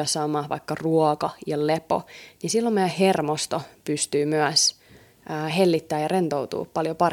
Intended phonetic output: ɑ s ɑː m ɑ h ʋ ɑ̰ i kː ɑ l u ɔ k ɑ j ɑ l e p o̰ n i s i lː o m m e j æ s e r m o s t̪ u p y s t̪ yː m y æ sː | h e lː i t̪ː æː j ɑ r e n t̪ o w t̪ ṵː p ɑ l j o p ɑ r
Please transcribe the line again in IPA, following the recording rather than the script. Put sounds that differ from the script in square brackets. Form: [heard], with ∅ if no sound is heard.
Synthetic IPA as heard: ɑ s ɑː m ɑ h ʋ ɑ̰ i kː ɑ [r] u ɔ k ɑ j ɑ l e p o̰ n i s i lː o m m e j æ [h] e r m o s t̪ [o] p y s t̪ yː m y æ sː | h e lː i t̪ː æː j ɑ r e n t̪ o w t̪ ṵː p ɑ l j o p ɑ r